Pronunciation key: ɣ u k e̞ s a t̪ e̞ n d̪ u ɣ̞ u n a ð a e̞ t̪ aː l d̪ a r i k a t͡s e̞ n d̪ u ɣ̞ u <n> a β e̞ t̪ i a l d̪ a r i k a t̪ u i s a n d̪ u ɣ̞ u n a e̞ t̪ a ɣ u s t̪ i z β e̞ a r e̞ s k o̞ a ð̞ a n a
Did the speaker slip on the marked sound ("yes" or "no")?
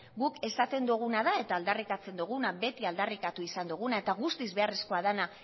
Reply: no